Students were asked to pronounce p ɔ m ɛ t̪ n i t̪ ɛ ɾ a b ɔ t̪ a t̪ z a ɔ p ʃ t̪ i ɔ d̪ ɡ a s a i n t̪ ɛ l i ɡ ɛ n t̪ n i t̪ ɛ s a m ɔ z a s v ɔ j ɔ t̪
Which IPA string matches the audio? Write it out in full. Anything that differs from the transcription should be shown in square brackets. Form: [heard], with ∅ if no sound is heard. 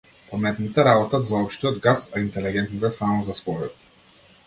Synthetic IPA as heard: p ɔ m ɛ t̪ n i t̪ ɛ ɾ a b ɔ t̪ a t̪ z a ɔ p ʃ t̪ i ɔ d̪ ɡ a s a i n t̪ ɛ l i ɡ ɛ n t̪ n i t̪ ɛ s a m ɔ z a s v ɔ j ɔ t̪